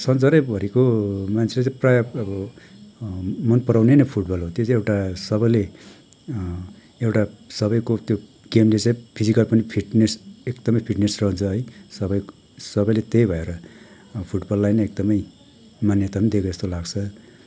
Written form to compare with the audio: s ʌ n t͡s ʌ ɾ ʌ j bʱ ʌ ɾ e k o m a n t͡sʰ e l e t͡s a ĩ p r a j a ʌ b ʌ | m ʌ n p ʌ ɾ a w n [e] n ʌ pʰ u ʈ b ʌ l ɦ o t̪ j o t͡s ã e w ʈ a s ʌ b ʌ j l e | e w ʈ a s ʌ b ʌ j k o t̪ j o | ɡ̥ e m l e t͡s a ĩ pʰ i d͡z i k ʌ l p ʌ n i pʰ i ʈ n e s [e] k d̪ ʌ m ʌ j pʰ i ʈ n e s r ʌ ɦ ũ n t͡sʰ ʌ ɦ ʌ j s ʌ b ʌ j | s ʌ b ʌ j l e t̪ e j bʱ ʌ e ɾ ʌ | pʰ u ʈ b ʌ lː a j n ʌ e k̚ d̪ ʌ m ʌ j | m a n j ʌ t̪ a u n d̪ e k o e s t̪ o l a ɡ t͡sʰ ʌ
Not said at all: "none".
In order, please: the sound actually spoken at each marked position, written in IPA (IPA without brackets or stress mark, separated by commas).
e, e